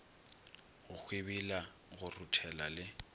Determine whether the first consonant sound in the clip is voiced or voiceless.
voiced